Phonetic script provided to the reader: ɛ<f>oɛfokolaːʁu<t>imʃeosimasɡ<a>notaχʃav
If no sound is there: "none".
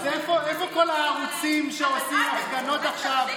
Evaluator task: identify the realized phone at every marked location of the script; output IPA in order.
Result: f, t͡s, a

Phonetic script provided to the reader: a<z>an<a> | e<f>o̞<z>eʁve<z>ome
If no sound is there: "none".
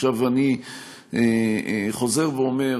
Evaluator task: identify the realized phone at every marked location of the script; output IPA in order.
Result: v, i, χ, z, none

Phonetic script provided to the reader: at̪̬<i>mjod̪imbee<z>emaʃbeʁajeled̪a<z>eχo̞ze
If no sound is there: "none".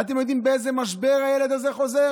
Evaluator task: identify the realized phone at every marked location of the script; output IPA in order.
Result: e, z, z

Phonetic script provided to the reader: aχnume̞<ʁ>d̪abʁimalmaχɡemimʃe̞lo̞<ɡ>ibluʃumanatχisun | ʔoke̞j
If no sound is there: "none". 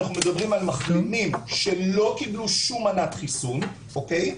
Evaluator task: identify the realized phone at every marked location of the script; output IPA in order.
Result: none, k

